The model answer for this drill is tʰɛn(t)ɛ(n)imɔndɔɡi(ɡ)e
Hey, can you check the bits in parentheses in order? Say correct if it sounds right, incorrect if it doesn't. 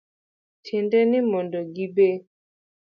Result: incorrect, correct, incorrect

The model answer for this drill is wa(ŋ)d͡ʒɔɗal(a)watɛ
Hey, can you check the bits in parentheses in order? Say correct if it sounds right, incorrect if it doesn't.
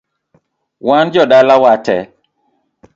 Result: incorrect, correct

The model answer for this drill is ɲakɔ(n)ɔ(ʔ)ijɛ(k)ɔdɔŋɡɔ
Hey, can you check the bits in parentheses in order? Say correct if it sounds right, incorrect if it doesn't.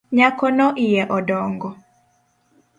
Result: correct, correct, incorrect

